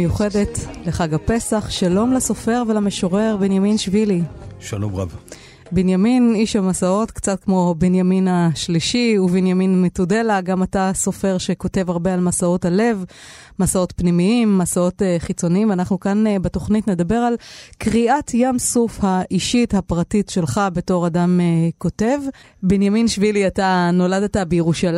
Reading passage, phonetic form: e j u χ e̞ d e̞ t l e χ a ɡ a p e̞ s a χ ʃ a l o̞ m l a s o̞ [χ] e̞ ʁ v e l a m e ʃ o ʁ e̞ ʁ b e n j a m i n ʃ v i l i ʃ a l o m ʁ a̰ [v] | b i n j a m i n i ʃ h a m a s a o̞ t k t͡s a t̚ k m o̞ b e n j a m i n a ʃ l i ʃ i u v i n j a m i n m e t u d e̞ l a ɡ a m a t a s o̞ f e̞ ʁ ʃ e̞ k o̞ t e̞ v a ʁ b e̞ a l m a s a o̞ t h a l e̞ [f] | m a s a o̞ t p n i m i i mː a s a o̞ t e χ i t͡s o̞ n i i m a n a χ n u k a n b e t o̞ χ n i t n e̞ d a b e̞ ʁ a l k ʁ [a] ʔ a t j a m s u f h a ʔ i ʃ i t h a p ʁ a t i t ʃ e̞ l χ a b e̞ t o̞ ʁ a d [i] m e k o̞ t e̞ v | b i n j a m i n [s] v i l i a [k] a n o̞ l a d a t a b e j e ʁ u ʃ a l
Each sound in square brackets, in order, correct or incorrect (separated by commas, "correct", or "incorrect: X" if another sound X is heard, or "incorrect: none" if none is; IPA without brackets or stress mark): incorrect: f, correct, incorrect: v, incorrect: i, incorrect: a, incorrect: ʃ, incorrect: t